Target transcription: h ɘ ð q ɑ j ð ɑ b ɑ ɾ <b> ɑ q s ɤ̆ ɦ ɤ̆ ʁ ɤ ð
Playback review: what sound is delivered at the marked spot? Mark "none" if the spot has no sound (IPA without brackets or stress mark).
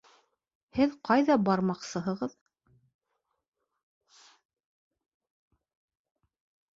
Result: m